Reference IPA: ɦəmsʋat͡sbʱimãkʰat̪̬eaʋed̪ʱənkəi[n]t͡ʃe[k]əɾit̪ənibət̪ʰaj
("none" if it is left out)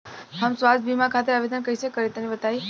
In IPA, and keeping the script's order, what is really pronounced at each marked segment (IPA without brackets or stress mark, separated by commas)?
none, k